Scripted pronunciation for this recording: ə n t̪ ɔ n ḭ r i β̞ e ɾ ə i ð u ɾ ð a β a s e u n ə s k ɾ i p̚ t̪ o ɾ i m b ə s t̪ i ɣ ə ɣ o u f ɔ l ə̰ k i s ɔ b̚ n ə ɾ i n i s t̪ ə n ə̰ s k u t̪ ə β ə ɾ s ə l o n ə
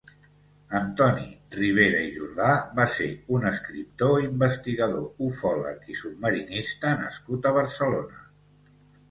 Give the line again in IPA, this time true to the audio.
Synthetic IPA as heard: ə n t̪ ɔ n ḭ r i β̞ e ɾ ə i ʒ u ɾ ð a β a s e u n ə s k ɾ i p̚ t̪ o i m b ə s t̪ i ɣ ə ð o u f ɔ l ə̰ k i s u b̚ m ə ɾ i n i s t̪ ə n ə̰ s k u t̪ ə β ə ɾ s ə l o n ə